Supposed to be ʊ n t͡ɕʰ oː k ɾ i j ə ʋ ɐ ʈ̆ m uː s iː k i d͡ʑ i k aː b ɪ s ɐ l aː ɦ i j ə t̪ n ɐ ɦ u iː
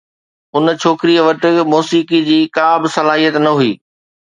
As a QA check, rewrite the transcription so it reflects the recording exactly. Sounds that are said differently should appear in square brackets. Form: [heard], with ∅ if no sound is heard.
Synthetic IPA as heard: ʊ n t͡ɕʰ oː k ɾ i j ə ʋ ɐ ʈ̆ m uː s iː k i d͡ʑ [iː] k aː b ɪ s ɐ l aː ɦ i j ə t̪ n ɐ ɦ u iː